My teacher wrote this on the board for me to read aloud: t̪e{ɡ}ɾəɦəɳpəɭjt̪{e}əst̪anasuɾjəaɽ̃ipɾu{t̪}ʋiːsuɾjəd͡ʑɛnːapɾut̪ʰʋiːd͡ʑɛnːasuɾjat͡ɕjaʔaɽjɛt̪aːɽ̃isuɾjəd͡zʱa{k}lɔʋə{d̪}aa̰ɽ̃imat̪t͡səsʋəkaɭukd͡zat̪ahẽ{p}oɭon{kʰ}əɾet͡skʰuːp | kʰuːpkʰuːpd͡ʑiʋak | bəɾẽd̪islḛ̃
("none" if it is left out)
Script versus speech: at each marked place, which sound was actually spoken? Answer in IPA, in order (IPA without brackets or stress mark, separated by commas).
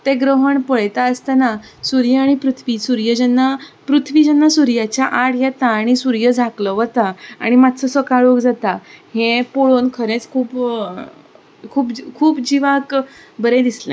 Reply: ɡ, a, t̪ʰ, k, t̪, p, kʰ